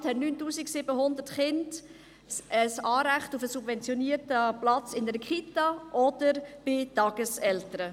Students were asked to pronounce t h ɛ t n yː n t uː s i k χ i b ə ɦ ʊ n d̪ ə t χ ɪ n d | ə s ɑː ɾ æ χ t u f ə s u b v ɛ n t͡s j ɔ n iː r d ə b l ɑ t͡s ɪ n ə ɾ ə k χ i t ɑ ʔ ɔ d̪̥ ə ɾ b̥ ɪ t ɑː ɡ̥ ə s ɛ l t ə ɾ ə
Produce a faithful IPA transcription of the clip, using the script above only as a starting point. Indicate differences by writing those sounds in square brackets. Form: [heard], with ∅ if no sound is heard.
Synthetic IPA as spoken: t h ɛ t n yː n t uː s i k [s] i b ə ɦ ʊ n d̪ ə t χ ɪ n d | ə s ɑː ɾ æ χ t u f ə s u b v ɛ n t͡s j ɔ n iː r [t] ə [p] l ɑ t͡s ɪ n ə ɾ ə k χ i t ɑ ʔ ɔ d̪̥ ə ɾ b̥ ɪ t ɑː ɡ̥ ə s ɛ l t ə ɾ ə